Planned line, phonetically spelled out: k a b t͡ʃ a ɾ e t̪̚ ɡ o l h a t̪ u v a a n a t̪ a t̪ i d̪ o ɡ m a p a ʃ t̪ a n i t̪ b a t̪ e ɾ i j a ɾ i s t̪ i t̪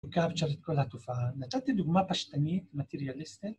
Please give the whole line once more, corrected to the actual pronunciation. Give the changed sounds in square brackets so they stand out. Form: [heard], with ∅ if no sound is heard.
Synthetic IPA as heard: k a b t͡ʃ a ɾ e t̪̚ [k] o l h a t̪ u [f] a a n a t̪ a t̪ i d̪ [u] ɡ m a p a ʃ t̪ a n i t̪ [m] a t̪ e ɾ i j a [l] i s t̪ i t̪